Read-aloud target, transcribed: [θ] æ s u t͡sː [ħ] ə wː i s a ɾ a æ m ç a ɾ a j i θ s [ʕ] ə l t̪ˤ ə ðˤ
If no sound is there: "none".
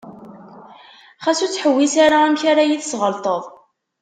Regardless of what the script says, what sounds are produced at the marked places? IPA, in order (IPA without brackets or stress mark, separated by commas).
χ, ħ, ʁ